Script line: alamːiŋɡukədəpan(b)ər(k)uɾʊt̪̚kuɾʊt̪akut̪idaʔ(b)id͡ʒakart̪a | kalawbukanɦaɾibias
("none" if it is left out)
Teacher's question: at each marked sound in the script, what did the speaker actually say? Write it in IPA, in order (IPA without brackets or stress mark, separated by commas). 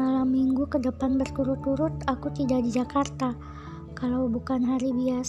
b, k, d